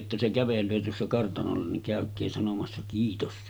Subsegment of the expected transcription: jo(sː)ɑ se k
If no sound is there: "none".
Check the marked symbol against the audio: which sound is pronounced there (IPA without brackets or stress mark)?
tː